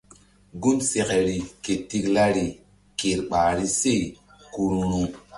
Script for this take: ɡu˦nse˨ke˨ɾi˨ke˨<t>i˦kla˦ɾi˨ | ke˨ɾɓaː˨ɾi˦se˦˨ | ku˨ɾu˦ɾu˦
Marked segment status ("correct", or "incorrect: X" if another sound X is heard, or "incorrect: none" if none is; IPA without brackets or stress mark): correct